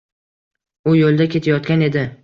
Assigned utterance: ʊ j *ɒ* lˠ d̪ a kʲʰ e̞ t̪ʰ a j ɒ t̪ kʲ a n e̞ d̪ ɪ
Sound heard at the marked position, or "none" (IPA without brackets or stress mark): o